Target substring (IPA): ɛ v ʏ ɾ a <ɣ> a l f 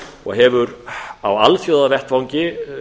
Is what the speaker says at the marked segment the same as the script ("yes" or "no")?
no